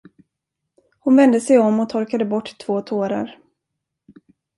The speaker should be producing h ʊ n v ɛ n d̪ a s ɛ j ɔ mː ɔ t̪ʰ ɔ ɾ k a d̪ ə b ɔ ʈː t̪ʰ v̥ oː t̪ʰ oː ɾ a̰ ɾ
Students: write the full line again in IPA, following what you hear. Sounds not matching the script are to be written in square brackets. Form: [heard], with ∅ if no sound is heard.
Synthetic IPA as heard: h ʊ n v ɛ n d̪ [ə] s ɛ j ɔ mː ɔ t̪ʰ ɔ ɾ k a d̪ ə b ɔ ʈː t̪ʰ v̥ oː t̪ʰ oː ɾ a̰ ɾ